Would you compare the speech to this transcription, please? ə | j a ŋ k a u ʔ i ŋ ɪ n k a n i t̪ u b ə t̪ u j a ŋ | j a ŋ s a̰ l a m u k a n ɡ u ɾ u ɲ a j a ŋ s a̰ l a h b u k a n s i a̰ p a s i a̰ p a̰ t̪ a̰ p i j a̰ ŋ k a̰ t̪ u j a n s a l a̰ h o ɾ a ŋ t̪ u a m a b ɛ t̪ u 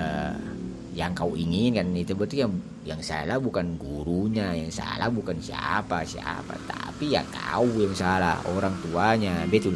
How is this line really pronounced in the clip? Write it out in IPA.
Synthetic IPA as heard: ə | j a ŋ k a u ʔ i ŋ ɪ n k a n i t̪ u b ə t̪ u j a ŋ | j a ŋ s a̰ l a b u k a n ɡ u ɾ u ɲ a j a ŋ s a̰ l a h b u k a n s i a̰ p a s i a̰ p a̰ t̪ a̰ p i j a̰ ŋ k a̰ u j a ŋ s a l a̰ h o ɾ a ŋ t̪ u a ɲ a b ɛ t̪ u